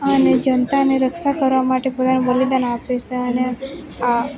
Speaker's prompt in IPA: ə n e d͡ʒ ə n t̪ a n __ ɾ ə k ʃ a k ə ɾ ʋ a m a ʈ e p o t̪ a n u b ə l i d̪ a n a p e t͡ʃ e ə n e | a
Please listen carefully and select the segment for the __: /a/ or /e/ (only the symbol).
e